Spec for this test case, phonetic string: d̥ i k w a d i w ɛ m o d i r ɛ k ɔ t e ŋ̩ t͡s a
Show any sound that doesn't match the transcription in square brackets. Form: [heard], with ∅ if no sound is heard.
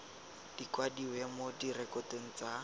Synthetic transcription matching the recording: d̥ i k w a d i w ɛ m o d i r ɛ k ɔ t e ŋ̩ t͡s a